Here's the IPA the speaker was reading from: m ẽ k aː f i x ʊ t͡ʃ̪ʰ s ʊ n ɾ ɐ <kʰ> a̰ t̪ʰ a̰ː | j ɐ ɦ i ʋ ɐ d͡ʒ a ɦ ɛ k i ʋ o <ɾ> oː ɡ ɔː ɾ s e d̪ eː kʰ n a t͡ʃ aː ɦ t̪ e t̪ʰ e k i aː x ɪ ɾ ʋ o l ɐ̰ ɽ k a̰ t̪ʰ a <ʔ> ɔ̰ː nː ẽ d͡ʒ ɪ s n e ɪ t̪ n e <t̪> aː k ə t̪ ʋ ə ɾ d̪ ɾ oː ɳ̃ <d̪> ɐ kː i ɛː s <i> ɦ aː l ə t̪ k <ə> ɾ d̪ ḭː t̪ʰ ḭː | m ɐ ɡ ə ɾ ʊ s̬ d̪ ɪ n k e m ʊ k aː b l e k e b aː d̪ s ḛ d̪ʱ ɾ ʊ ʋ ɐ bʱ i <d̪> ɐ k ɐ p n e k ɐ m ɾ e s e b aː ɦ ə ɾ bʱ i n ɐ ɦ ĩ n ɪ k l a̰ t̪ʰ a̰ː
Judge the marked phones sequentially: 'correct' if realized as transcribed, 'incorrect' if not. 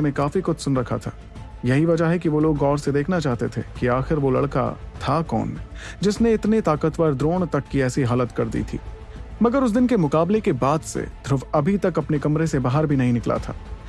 correct, incorrect, incorrect, correct, incorrect, correct, incorrect, incorrect

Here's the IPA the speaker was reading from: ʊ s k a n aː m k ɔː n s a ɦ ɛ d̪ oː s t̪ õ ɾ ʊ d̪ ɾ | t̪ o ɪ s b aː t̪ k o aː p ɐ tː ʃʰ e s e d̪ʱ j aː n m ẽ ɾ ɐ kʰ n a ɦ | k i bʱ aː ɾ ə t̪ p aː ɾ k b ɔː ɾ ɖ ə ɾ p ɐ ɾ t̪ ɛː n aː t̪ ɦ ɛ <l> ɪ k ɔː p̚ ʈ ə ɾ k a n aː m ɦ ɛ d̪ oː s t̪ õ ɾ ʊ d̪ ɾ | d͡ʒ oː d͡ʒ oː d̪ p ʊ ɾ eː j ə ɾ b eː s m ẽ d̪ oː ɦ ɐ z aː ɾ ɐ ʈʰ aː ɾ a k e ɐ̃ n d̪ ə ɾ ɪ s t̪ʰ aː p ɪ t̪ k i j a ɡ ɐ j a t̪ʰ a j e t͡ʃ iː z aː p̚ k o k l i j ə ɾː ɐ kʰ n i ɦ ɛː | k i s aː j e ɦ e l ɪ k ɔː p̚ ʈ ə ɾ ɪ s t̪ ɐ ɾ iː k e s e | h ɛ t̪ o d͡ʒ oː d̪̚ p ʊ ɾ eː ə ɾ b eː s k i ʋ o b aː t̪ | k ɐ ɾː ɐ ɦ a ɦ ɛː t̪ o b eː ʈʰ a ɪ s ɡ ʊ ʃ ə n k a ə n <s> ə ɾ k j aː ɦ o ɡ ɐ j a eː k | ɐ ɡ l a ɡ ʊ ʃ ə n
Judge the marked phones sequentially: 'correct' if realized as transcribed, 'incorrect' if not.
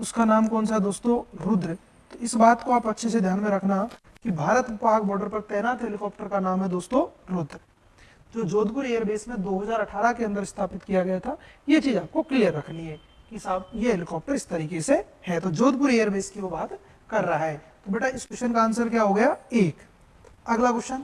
correct, correct

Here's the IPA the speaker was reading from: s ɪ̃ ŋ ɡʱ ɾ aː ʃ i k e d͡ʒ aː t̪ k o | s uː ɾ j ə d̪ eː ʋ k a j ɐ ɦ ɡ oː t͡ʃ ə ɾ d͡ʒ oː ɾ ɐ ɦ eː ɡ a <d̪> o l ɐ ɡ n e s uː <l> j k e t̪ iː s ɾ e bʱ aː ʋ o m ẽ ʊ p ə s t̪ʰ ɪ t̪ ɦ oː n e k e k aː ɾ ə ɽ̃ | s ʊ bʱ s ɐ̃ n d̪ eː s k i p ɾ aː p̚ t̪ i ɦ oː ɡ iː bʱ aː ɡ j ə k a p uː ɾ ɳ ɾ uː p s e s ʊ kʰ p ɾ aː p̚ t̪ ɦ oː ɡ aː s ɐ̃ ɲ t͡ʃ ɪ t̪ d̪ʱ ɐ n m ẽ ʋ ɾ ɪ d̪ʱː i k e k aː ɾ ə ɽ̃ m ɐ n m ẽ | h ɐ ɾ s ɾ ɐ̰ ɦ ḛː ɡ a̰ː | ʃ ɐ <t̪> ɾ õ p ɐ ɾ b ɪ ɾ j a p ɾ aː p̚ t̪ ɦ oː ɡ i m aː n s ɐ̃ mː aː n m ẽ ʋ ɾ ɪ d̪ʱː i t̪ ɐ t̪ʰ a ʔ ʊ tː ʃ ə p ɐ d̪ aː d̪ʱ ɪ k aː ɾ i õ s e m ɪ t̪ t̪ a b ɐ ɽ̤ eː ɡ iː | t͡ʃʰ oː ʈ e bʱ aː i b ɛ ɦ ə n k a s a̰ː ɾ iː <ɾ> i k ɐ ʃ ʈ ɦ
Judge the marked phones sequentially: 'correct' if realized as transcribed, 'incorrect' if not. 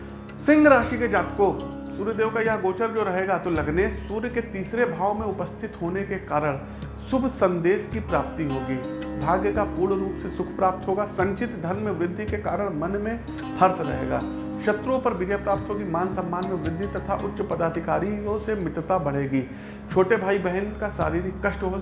incorrect, incorrect, correct, correct

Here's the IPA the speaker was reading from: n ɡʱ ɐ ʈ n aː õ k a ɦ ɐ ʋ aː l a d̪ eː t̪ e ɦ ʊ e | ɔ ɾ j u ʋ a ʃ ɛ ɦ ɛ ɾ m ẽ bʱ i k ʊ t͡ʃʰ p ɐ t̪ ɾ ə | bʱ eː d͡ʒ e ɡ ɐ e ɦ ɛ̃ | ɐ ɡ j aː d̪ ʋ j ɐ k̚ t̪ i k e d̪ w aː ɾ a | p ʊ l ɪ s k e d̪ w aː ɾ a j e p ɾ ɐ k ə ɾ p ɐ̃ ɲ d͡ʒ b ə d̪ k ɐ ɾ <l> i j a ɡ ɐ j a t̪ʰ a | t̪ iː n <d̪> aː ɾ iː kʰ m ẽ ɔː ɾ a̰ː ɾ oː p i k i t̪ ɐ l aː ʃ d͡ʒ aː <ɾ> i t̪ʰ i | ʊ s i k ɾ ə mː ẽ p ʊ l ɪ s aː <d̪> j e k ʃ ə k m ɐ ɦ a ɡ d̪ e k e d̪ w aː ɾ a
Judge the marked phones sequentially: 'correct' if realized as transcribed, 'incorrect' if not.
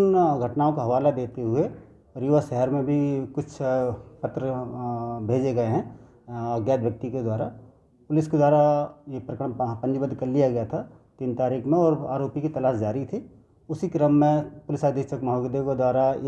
correct, incorrect, correct, correct

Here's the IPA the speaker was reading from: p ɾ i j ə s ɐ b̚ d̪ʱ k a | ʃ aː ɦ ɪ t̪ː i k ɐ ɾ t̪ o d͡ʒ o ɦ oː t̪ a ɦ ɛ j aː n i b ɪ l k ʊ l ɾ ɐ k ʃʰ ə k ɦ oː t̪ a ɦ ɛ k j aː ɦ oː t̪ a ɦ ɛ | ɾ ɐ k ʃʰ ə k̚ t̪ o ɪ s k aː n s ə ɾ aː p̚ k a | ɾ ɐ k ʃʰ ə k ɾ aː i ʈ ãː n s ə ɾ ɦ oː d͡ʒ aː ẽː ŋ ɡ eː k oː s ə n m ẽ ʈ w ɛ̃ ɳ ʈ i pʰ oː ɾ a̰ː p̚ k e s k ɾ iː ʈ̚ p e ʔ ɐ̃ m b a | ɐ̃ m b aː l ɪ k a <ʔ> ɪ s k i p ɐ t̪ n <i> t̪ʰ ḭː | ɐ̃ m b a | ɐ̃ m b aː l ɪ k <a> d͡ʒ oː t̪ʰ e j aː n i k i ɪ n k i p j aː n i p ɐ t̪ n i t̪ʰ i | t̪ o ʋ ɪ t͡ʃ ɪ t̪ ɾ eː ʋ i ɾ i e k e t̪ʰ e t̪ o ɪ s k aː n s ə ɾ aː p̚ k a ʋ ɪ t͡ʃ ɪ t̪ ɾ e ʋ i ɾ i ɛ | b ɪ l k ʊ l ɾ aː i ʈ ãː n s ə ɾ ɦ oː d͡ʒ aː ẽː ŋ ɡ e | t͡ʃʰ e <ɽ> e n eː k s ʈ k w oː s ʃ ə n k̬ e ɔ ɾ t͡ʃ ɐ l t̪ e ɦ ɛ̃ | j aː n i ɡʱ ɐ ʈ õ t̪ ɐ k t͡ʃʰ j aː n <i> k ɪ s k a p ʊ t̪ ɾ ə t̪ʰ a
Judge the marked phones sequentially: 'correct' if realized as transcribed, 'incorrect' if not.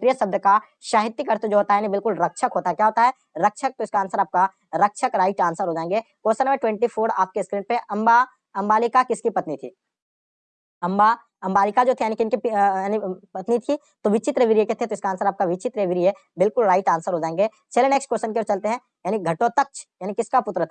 incorrect, correct, correct, incorrect, correct

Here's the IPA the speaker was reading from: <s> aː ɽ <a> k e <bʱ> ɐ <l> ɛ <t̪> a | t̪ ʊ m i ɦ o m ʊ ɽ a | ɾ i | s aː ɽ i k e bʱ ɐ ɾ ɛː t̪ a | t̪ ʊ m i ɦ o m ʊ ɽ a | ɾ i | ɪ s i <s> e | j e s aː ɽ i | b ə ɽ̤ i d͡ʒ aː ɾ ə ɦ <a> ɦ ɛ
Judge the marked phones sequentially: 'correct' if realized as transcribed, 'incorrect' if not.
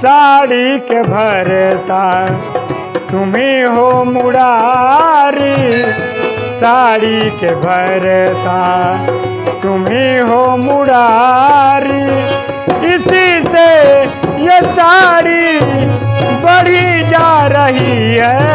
correct, incorrect, correct, incorrect, correct, correct, incorrect

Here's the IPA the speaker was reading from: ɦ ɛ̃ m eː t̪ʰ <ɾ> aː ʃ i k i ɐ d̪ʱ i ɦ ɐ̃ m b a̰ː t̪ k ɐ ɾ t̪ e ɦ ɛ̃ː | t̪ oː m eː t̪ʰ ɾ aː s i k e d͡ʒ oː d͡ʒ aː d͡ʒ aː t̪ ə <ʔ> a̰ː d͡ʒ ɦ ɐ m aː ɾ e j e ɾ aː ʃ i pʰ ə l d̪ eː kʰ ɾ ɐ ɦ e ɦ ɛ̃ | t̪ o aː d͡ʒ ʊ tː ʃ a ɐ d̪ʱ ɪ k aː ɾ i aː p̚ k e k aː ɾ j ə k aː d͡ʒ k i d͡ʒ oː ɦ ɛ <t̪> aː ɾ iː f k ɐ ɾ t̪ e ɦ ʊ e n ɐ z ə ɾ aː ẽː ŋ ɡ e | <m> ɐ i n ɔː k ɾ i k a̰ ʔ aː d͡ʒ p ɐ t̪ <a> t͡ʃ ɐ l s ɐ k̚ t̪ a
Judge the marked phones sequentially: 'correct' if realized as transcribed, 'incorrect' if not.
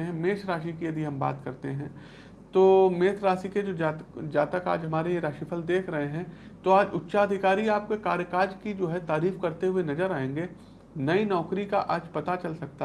correct, incorrect, correct, incorrect, correct

